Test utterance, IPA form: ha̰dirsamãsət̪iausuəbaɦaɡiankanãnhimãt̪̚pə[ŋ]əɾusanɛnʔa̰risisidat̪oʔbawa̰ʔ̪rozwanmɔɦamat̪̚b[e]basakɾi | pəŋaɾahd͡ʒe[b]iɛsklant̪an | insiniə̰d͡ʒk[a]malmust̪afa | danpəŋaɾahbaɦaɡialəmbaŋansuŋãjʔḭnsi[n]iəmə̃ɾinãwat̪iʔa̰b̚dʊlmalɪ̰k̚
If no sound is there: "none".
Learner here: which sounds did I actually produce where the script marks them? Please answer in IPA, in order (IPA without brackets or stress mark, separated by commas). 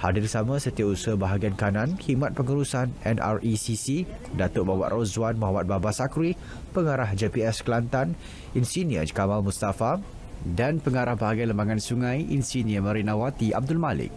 ŋ, a, p, a, n